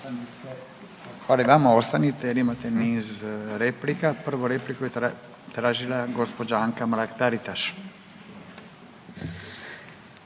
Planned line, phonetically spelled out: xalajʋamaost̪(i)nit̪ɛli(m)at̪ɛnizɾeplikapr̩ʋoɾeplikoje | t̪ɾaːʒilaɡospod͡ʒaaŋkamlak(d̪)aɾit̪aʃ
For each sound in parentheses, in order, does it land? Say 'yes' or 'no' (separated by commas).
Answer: no, yes, no